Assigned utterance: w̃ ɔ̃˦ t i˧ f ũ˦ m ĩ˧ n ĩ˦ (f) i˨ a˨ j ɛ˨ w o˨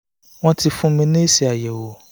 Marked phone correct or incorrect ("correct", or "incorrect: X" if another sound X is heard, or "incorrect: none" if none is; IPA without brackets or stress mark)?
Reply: incorrect: s